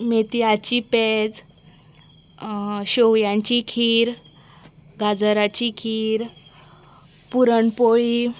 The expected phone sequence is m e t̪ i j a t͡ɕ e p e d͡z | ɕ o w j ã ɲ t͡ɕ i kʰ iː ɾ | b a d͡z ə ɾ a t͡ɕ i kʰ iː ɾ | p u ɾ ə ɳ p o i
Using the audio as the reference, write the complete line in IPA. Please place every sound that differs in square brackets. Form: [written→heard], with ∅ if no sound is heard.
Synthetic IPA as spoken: m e t̪ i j a t͡ɕ [e→i] p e d͡z | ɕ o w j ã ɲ t͡ɕ i kʰ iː ɾ | [b→ɡ] a d͡z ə ɾ a t͡ɕ i kʰ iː ɾ | p u ɾ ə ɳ p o i